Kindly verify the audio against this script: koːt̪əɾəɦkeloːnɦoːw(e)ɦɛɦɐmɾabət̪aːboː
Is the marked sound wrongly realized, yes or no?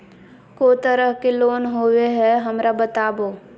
no